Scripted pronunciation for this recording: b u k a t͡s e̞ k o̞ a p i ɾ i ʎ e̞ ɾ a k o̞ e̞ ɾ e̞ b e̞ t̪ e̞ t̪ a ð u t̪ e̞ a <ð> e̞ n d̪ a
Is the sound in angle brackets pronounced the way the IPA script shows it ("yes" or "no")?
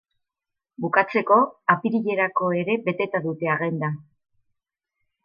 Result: no